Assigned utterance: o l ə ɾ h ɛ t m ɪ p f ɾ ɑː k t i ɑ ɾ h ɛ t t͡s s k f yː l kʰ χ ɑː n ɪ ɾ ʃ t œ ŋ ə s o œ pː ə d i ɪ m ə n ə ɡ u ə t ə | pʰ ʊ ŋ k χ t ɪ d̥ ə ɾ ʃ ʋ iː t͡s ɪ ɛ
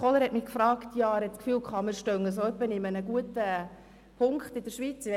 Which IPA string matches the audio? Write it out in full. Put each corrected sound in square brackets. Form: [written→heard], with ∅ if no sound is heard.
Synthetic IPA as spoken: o l ə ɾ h ɛ t m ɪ [p→k] f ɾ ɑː k t [i→j] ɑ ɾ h ɛ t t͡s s k f yː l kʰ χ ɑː [n→m] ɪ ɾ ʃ t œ ŋ ə s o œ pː ə [d→n] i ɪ m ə n ə ɡ u ə t ə | pʰ ʊ ŋ k χ t ɪ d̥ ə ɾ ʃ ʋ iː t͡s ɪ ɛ